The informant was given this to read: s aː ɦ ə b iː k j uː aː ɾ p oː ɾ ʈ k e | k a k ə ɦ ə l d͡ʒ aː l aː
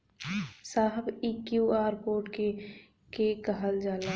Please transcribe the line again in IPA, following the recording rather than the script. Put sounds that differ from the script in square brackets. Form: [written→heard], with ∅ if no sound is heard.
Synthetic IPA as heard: s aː ɦ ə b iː k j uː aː ɾ p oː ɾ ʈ k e | k [a→e] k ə ɦ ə l d͡ʒ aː l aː